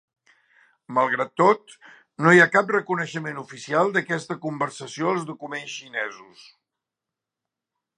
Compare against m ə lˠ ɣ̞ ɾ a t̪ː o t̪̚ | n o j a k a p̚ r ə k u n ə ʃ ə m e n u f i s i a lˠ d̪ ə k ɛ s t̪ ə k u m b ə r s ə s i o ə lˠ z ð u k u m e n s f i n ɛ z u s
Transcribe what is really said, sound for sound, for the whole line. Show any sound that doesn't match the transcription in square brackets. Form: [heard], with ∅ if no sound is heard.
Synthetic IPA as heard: m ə lˠ ɣ̞ ɾ a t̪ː o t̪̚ | n o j a k a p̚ r ə k u n ə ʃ ə m e n u f i s i a lˠ d̪ ə k ɛ s t̪ ə k u m b ə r s ə s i o ə lˠ z ð u k u m e n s [ʃ] i n ɛ z u s